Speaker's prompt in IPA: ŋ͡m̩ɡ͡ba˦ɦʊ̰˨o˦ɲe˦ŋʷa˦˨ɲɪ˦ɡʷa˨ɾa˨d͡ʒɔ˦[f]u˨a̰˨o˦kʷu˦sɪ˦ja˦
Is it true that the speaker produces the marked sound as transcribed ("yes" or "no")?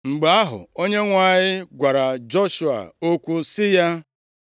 no